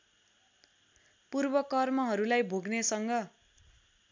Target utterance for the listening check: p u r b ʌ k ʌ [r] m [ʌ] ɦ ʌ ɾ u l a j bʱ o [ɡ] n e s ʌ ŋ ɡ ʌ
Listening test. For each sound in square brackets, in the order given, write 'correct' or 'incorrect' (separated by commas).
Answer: correct, correct, correct